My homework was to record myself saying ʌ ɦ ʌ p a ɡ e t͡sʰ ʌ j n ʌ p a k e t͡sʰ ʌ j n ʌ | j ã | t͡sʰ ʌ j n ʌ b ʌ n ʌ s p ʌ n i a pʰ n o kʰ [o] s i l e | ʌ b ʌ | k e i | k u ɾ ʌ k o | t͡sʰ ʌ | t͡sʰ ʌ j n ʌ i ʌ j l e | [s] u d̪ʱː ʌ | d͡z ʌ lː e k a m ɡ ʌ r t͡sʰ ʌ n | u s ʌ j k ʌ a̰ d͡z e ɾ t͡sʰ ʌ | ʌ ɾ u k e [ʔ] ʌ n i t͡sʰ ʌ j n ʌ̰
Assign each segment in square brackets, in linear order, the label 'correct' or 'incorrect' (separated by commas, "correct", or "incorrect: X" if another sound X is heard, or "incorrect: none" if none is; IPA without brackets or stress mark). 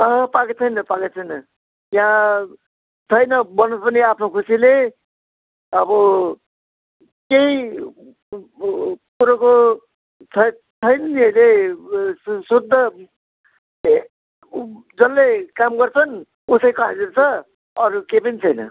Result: incorrect: u, correct, incorrect: p